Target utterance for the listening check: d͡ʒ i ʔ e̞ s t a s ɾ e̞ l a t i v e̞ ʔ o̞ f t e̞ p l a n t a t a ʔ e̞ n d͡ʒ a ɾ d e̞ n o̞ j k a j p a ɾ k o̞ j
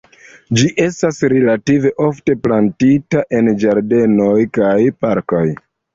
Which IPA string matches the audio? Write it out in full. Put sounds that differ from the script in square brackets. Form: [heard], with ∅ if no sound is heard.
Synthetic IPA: d͡ʒ i ʔ e̞ s t a s ɾ e̞ l a t i v e̞ ʔ o̞ f t e̞ p l a n t [i] t a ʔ e̞ n d͡ʒ a ɾ d e̞ n o̞ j k a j p a ɾ k o̞ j